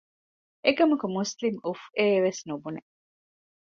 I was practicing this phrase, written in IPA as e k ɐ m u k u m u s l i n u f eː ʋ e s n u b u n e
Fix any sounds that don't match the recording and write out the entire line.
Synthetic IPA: e k ɐ m u k u m u s l i m u f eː ʋ e s n u b u n e